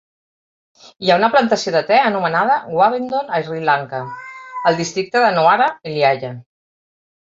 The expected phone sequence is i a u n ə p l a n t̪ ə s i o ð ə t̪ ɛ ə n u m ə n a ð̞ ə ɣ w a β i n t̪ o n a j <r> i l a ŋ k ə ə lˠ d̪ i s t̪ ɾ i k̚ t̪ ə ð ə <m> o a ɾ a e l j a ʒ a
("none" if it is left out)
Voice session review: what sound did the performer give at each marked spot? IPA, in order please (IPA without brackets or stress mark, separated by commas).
r, n